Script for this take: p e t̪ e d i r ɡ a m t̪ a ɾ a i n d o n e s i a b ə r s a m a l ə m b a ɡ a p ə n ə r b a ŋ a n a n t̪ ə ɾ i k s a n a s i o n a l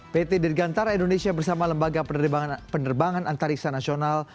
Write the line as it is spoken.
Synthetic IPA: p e t̪ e d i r ɡ a n t̪ a ɾ a i n d o n e s i a b ə r s a m a l ə m b a ɡ a p ə n ə r b a ŋ a n a n t̪ a ɾ i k s a n a s i o n a l